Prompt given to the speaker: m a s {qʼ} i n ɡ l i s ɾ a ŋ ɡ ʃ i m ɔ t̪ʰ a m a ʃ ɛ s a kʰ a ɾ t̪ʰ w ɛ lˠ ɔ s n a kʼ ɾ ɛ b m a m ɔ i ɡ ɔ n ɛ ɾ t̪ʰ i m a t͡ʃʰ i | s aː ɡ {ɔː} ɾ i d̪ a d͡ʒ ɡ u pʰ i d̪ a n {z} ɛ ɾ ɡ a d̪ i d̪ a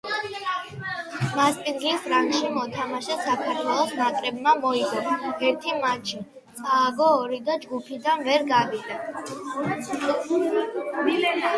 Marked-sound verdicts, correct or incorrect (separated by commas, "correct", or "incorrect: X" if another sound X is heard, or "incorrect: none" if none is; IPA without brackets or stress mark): incorrect: pʼ, correct, incorrect: v